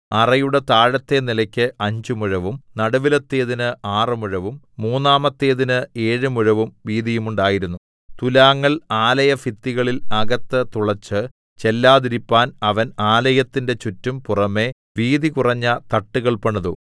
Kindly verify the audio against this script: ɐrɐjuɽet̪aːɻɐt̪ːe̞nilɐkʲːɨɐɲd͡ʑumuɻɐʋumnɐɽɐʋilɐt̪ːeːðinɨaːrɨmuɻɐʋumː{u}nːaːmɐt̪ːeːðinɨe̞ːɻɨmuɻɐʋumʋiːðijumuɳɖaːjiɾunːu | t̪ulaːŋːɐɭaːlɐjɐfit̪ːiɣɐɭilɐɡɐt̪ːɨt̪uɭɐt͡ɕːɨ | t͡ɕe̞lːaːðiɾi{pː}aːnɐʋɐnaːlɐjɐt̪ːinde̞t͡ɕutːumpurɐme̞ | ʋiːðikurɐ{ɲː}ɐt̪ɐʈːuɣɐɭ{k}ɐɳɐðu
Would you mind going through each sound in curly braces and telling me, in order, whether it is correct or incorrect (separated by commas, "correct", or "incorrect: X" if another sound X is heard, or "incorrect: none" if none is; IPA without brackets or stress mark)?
incorrect: uː, correct, correct, incorrect: p